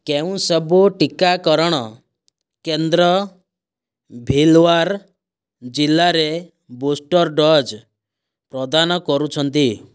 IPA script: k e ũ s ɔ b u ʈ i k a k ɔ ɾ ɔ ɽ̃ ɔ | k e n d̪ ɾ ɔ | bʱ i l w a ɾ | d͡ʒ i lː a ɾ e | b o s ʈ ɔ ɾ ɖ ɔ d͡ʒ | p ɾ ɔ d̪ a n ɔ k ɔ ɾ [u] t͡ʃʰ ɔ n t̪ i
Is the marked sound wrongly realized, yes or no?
no